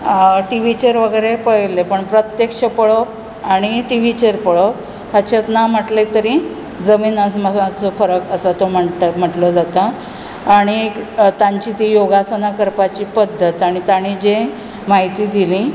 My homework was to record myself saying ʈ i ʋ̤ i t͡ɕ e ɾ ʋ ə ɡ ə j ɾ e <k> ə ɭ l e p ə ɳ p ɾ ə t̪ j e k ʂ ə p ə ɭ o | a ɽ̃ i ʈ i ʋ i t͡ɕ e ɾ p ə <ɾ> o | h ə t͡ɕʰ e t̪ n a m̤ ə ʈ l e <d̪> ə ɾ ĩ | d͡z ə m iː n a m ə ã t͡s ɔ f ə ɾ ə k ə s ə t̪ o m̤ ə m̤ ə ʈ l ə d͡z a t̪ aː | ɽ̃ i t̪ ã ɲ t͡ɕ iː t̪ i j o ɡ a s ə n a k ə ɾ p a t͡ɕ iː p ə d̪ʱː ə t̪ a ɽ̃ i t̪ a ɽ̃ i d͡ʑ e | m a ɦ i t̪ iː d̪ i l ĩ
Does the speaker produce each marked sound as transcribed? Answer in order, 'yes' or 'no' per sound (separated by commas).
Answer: no, no, no